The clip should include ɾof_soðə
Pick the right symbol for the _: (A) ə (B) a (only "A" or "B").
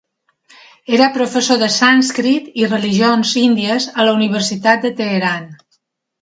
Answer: A